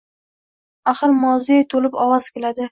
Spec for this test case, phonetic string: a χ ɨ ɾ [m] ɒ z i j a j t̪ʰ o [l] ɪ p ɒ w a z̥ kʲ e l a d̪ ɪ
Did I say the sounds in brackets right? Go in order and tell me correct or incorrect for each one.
correct, correct

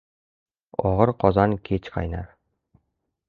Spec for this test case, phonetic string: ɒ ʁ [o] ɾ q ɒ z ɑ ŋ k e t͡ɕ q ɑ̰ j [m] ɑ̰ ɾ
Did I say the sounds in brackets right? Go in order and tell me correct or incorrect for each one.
incorrect, incorrect

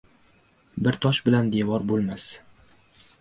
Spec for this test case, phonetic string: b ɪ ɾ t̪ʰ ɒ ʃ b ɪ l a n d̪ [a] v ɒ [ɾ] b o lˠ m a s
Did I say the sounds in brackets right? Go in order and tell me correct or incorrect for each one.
incorrect, correct

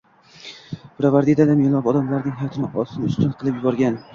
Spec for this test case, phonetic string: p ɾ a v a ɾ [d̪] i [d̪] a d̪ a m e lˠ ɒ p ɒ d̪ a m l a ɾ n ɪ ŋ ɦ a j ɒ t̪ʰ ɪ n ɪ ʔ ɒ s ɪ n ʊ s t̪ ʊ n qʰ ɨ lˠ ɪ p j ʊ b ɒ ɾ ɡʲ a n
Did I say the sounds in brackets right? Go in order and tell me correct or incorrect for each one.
correct, correct

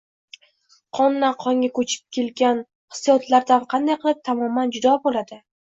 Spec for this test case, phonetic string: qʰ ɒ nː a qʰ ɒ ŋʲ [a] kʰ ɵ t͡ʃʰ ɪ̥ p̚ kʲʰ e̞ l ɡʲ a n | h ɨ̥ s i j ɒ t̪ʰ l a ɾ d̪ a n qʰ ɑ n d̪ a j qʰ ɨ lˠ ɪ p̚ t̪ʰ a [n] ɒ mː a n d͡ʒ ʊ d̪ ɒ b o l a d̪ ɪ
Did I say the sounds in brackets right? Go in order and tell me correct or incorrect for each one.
correct, incorrect

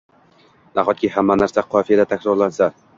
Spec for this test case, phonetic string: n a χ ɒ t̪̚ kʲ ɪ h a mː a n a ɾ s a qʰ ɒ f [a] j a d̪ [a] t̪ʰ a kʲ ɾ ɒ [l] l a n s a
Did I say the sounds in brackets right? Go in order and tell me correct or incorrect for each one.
incorrect, correct, incorrect

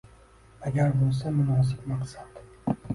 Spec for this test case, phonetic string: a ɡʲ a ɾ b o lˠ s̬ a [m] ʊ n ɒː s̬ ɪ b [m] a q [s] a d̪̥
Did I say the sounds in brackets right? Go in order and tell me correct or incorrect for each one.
correct, correct, correct

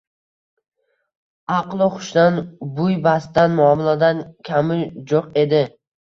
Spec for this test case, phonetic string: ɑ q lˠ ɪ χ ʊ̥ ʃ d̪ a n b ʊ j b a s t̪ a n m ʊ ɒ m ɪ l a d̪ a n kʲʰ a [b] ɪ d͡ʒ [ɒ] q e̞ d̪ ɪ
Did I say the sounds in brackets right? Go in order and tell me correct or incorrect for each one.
incorrect, incorrect

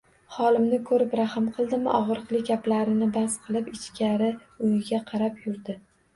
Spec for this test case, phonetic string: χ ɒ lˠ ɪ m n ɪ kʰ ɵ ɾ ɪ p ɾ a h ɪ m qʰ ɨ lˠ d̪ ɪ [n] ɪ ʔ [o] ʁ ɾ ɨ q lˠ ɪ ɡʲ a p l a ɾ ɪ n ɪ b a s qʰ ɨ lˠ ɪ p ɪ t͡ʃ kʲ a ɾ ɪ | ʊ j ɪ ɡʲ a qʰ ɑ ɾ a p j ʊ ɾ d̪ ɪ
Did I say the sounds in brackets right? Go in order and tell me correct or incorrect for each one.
incorrect, incorrect

